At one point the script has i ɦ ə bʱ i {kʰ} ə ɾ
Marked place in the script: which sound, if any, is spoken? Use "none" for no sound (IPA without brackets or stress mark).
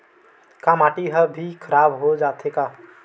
kʰ